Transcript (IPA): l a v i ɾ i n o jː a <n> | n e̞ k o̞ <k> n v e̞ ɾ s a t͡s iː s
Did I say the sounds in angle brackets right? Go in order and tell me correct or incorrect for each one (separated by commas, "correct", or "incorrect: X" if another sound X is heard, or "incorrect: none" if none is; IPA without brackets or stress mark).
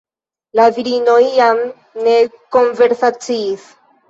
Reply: incorrect: m, incorrect: none